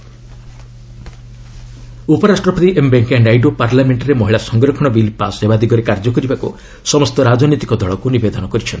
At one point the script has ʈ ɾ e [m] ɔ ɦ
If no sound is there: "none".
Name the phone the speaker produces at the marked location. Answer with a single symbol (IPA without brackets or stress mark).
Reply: m